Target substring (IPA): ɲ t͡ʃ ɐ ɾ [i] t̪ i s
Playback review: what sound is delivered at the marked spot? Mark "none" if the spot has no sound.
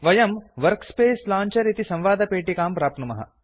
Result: i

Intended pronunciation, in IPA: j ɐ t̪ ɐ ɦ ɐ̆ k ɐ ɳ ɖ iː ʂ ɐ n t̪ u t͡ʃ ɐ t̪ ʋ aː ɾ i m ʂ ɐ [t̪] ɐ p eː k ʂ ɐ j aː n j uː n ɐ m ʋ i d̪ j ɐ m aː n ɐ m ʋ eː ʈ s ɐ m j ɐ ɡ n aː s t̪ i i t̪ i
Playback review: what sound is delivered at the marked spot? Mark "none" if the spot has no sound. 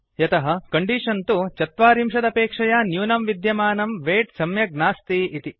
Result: d̪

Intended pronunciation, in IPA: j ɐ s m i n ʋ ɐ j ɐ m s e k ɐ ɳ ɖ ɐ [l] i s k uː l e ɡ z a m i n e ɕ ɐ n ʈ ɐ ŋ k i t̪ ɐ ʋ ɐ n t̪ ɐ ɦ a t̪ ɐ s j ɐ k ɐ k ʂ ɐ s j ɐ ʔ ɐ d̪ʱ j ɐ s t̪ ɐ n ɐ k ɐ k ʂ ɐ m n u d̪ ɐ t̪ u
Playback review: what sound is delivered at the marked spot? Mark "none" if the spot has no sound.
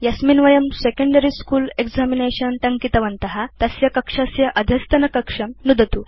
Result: ɾ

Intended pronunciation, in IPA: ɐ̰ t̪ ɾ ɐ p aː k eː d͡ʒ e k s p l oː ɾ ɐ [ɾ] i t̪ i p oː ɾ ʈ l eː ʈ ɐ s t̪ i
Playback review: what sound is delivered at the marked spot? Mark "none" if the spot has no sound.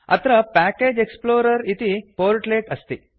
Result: ɾ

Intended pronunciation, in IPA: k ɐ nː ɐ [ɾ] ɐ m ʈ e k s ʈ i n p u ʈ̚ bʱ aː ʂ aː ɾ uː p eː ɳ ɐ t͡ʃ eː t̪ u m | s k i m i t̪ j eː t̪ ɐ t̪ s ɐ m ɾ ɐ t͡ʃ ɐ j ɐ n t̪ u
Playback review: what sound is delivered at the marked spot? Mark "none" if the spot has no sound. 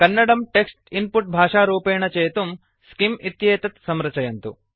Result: ɽ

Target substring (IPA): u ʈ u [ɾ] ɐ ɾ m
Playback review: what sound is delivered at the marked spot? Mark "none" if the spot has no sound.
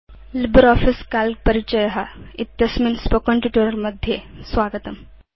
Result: ɾ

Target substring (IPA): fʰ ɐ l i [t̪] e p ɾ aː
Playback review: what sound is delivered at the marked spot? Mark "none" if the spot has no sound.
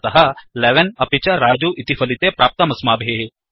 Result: t̪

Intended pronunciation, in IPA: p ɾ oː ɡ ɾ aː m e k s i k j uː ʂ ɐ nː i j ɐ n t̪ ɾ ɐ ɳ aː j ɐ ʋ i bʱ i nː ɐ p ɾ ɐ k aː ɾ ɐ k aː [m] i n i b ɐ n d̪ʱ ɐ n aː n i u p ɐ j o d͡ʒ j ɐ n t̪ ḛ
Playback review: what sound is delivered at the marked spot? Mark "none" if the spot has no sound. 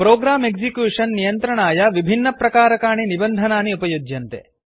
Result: ɳ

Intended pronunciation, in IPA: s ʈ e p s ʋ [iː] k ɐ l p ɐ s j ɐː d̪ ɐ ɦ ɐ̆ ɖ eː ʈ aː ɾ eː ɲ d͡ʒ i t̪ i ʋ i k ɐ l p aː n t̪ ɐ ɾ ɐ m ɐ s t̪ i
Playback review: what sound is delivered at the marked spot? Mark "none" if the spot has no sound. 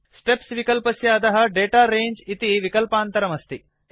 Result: i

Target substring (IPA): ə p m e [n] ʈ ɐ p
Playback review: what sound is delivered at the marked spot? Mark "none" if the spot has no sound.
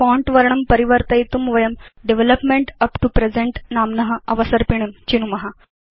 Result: ɳ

